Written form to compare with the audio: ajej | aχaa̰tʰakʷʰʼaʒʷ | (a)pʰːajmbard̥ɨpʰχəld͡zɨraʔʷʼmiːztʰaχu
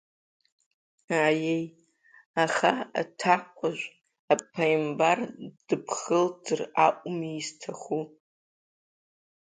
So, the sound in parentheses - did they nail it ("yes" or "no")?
yes